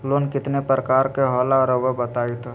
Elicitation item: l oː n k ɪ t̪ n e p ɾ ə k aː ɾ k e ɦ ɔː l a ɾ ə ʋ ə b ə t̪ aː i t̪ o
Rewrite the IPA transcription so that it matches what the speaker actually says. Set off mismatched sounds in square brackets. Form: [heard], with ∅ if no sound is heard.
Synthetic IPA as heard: l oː n k ɪ t̪ n e p ɾ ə k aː ɾ k e ɦ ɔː l a ɾ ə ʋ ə b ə t̪ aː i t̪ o